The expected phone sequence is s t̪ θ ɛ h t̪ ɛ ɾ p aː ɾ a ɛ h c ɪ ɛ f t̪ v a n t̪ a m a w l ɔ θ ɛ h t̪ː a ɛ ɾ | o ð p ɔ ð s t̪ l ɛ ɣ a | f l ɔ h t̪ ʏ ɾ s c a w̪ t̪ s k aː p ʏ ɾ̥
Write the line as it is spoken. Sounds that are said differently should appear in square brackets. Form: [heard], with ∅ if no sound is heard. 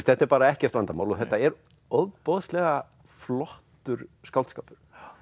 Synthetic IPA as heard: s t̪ θ ɛ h t̪ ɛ ɾ p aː ɾ a ɛ h c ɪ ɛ f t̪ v a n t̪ a m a w l ɔ θ ɛ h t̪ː a ɛ ɾ | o ð p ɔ ð s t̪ l ɛ ɣ a | f l ɔ h t̪ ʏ ɾ s [k] a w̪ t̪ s k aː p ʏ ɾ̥